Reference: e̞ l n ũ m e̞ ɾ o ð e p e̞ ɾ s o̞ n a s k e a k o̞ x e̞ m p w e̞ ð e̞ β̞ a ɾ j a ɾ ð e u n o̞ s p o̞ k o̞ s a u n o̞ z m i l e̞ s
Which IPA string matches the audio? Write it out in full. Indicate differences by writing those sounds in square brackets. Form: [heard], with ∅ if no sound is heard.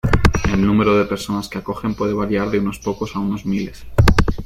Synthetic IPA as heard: e̞ l n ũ m e̞ ɾ o ð e p e̞ ɾ s o̞ n a s k e a k o̞ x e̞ m p w e̞ ð e̞ β̞ a ɾ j a ɾ ð e u n o̞ s p o̞ k o̞ s a u n o̞ z m i l e̞ s